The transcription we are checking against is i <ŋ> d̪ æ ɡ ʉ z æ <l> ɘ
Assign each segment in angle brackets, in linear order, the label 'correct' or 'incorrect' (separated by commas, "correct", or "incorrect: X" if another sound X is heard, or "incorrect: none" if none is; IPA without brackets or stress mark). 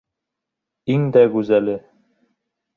correct, correct